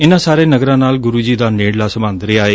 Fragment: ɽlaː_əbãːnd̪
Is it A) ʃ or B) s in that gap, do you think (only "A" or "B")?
B